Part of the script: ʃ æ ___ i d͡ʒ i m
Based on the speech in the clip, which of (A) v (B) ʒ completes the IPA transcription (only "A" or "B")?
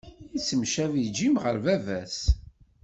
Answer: A